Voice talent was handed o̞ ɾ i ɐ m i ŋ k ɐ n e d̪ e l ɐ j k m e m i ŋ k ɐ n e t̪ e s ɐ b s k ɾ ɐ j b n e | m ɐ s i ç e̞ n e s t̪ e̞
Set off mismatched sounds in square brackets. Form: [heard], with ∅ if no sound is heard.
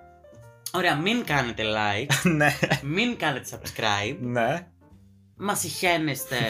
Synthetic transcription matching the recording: o̞ ɾ [e] ɐ m i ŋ k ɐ n e [t̪] e l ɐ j k [n] e m i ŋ k ɐ n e t̪ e s ɐ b s k ɾ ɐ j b n e | m ɐ s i ç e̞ n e s t̪ e̞